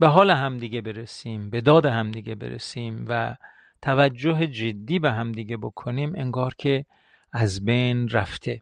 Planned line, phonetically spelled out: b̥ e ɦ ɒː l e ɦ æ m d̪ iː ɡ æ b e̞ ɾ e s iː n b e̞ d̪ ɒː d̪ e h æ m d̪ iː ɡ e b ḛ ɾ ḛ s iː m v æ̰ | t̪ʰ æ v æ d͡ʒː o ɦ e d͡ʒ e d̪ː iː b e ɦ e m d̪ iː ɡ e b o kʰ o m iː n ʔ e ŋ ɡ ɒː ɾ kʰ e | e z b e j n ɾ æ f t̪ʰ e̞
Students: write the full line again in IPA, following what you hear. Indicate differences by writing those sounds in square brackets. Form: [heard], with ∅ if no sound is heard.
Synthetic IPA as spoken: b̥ e ɦ ɒː l e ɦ æ m d̪ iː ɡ [e] b e̞ ɾ e s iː [m] b e̞ d̪ ɒː d̪ e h æ m d̪ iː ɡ e b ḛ ɾ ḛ s iː m v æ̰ | t̪ʰ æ v æ d͡ʒː o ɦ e d͡ʒ e d̪ː iː b e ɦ [æ] m d̪ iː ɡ e b o kʰ o [n] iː [m] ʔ e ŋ ɡ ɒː ɾ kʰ e | [æ] z b e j n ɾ æ f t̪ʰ e̞